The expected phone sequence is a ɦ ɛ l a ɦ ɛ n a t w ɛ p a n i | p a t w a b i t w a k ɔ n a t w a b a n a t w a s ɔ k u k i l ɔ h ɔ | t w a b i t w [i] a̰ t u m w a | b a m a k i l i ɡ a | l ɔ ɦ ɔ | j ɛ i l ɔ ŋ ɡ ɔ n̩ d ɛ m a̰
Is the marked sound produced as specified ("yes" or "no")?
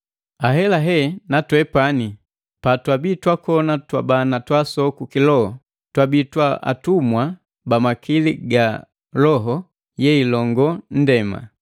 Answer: no